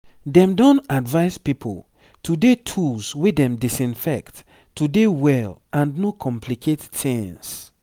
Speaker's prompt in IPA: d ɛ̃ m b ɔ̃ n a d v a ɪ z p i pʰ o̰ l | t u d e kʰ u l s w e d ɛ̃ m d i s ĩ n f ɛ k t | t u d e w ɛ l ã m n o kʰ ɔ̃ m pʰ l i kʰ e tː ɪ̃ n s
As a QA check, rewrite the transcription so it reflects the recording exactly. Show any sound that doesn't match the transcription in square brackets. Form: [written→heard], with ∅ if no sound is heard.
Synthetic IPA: d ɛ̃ m [b→d] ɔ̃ n a d v a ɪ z p i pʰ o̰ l | t u d e [kʰ→tʰ] u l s w e d ɛ̃ m d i s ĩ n f ɛ k t | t u d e w ɛ l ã [m→n] n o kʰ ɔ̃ m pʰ l i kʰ e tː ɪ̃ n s